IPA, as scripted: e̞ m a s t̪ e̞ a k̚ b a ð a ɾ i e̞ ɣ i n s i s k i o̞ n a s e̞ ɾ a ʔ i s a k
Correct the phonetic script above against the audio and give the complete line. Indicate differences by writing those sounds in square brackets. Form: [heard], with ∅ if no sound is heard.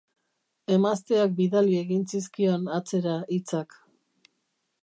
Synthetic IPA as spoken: e̞ m a s t̪ e̞ a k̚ b [i] ð a [l] i e̞ ɣ i n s i s k i o̞ n a [t͡s] e̞ ɾ a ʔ i [t͡s] a k